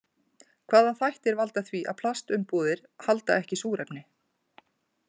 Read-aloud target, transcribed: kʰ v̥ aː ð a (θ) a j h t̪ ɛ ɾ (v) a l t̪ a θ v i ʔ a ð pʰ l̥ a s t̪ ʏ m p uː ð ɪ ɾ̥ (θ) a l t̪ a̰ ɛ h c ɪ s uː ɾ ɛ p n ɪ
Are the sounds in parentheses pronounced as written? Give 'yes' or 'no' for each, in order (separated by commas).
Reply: yes, yes, no